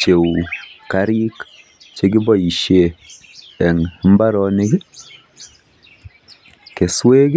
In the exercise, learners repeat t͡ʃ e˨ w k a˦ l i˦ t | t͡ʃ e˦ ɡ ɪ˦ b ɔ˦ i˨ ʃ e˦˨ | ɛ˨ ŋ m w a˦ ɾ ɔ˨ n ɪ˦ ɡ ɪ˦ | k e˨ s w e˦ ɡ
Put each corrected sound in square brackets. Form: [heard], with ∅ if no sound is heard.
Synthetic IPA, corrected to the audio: t͡ʃ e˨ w k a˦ [ɾ] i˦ [k] | t͡ʃ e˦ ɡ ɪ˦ b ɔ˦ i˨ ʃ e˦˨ | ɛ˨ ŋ m [b] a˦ ɾ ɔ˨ n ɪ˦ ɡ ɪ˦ | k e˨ s w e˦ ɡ